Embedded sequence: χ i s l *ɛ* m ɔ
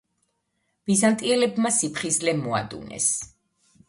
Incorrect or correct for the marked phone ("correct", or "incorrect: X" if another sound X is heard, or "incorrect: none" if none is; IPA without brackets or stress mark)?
correct